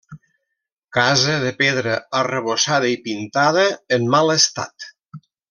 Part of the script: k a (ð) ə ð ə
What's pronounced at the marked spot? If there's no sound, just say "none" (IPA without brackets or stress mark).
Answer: z